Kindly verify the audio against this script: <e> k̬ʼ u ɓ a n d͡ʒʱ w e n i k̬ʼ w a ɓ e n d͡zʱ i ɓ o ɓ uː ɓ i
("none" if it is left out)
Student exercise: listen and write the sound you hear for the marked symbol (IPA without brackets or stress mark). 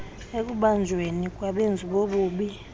e